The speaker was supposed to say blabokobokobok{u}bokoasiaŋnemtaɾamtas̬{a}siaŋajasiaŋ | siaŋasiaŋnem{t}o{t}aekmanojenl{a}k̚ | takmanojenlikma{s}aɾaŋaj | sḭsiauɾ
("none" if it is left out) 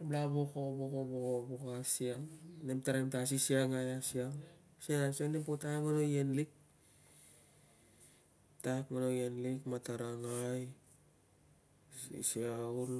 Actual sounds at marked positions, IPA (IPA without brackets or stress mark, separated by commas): o, i, p, t, i, t